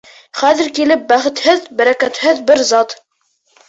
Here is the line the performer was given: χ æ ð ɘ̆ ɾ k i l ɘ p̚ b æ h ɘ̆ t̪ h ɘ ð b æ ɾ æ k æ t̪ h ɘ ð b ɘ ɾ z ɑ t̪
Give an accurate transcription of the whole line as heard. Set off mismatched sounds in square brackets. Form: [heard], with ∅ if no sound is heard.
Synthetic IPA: χ æ ð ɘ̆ ɾ k i l ɘ p̚ b æ [χ] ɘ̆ t̪ h ɘ ð b æ ɾ æ k æ t̪ h ɘ ð b ɘ ɾ z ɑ t̪